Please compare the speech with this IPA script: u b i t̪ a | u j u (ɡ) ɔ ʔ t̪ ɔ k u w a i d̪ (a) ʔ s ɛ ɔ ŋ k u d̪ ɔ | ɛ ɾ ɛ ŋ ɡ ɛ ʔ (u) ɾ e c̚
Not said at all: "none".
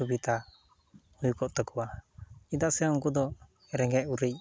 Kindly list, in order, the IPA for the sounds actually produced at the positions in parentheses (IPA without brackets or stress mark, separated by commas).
k, a, u